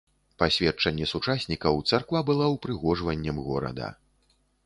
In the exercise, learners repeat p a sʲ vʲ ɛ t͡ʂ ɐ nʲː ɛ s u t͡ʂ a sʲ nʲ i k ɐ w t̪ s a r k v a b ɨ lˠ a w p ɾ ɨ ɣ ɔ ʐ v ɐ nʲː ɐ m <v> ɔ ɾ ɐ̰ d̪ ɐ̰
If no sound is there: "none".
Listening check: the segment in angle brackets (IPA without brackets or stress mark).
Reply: ɣ